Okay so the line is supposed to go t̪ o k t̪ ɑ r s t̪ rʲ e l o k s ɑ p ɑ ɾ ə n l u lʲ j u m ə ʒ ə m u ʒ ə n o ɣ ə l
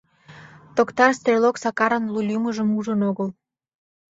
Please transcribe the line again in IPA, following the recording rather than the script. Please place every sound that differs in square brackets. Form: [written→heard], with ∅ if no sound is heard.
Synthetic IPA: t̪ o k t̪ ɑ r s t̪ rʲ e l o k s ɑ [p→k] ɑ ɾ ə n l u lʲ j u m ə ʒ ə m u ʒ ə n o ɣ ə l